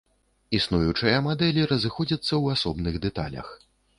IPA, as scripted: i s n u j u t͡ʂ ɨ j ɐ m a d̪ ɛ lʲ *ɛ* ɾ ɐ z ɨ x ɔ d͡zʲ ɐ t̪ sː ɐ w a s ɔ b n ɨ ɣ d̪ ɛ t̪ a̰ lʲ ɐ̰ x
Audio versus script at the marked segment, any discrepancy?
yes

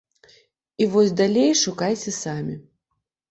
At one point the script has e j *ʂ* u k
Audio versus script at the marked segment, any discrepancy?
no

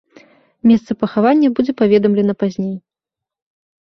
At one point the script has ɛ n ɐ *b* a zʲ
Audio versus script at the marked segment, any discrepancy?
yes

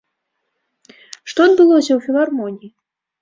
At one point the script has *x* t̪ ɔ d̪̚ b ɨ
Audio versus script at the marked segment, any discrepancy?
yes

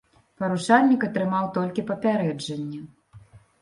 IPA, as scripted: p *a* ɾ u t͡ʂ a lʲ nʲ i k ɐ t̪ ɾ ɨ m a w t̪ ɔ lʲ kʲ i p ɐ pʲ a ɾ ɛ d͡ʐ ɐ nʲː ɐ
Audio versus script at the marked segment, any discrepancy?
yes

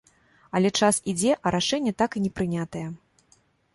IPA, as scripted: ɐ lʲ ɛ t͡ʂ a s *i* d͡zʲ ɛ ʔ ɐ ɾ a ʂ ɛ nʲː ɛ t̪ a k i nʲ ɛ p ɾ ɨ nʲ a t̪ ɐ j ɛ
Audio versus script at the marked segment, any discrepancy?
no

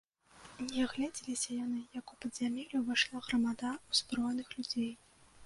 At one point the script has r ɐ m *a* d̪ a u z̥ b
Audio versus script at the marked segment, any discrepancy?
no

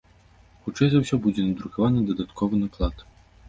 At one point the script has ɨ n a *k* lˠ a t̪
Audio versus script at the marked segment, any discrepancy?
no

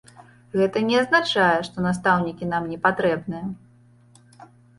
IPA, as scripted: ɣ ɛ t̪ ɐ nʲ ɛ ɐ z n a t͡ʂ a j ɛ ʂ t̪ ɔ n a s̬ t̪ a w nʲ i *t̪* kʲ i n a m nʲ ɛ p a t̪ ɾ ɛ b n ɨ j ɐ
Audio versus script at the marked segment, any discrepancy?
yes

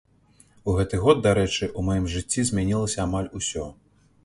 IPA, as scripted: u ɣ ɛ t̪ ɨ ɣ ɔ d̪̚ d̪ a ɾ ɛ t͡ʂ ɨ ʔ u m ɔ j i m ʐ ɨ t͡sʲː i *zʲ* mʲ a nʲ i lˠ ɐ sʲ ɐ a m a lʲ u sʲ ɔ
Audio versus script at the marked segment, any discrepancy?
no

